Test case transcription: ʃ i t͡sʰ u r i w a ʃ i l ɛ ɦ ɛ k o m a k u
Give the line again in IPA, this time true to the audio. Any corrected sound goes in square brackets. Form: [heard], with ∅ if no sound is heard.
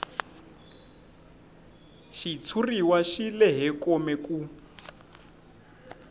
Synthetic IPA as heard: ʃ i t͡sʰ u r i w a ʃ i l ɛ ɦ ɛ k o m [ɛ] k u